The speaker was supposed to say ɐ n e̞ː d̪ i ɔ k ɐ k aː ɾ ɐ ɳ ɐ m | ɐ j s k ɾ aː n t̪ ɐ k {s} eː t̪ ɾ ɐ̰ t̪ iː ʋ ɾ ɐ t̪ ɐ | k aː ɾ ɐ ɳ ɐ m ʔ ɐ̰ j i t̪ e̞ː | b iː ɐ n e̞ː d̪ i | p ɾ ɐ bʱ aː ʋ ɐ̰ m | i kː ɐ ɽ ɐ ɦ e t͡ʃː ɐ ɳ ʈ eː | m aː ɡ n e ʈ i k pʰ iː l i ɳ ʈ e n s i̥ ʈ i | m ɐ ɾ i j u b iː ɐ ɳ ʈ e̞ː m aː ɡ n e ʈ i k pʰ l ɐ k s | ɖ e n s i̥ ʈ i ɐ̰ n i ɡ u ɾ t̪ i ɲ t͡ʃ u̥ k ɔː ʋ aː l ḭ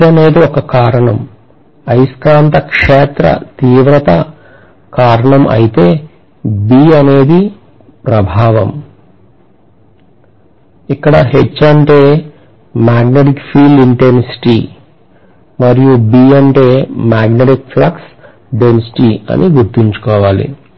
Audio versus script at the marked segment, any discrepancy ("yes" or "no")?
yes